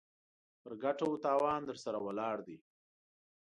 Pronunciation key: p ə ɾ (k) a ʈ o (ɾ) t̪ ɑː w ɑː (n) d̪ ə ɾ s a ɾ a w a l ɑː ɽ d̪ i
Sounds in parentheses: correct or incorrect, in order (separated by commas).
incorrect, incorrect, correct